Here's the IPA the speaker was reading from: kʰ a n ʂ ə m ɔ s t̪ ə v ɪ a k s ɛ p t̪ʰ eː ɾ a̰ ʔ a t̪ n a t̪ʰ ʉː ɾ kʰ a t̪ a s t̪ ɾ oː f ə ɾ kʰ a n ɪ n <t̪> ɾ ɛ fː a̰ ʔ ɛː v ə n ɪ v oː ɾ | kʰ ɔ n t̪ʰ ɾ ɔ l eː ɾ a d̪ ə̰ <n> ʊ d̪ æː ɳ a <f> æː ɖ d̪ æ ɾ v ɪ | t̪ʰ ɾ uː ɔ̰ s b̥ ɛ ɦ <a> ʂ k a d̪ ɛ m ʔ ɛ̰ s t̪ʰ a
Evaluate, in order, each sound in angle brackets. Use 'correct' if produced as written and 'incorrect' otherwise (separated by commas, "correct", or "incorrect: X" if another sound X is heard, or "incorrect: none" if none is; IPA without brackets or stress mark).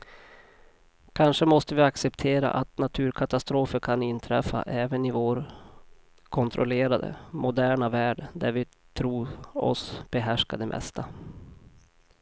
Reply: incorrect: t̪ʰ, incorrect: m, incorrect: v, incorrect: æ